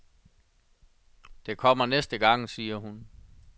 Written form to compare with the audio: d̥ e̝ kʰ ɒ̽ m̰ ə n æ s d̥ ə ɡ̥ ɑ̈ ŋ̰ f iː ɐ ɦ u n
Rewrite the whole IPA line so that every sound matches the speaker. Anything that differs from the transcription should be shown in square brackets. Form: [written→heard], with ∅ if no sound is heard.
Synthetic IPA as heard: d̥ e̝ kʰ ɒ̽ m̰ [ə→ɐ] n [æ→e] s d̥ ə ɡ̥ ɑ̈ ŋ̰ [f→s] iː ɐ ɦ u n